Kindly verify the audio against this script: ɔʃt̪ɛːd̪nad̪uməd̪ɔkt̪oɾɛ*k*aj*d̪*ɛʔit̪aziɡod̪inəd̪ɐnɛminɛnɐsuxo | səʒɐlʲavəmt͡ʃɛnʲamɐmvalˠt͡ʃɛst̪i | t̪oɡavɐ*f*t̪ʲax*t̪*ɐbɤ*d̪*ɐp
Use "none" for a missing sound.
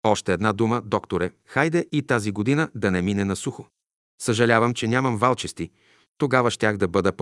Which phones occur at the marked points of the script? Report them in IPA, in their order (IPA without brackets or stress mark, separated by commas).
x, d̪, ʃ, d̪, d̪